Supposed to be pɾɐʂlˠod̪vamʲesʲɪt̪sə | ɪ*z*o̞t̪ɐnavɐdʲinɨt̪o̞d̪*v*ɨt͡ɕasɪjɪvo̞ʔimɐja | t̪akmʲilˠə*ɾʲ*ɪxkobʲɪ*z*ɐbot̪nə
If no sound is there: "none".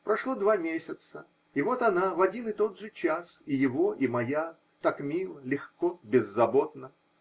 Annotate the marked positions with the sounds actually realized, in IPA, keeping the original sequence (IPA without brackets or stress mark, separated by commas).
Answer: v, ʐ, lʲ, zː